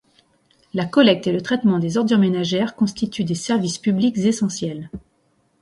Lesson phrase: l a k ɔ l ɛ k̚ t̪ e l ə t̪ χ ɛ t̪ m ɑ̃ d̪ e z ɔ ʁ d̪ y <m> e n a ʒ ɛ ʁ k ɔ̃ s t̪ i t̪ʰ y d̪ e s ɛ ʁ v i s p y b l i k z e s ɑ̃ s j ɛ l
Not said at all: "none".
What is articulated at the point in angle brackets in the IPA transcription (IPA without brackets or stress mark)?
m